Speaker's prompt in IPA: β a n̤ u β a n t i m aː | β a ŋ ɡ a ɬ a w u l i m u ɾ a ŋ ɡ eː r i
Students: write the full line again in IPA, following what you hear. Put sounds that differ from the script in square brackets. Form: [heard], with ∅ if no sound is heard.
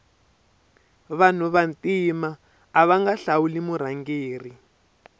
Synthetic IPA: β a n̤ u β a n t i m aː | β a ŋ ɡ a ɬ a w u l i m u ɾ a ŋ ɡ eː r i